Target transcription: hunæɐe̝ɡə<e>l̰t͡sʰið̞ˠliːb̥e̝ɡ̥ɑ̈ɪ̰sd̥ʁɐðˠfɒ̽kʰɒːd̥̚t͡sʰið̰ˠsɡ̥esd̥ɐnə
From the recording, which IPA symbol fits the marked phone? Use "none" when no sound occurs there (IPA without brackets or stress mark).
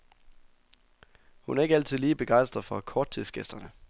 æ